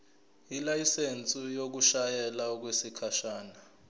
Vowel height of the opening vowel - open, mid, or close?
close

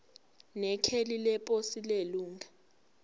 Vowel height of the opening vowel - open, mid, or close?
mid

